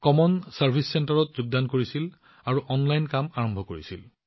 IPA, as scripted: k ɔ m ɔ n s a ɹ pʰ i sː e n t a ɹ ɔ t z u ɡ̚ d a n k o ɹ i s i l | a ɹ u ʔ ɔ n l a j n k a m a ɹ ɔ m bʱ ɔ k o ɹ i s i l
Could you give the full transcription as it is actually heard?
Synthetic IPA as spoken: k ɔ m ɔ n s a ɹ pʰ i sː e n t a ɹ ɔ t z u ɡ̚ d a n k o ɹ i s i l | a ɹ u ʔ ɔ n l a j n k a m a ɹ ɔ m bʱ ɔ k o ɹ i s i l